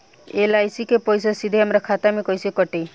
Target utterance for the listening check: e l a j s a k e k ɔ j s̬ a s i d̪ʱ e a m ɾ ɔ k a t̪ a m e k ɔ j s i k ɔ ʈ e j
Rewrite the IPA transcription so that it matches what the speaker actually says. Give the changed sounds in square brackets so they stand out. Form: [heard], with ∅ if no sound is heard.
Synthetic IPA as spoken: e l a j s [i] k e [p] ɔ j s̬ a s i d̪ʱ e a m ɾ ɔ [kʰ] a t̪ a m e k ɔ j s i k ɔ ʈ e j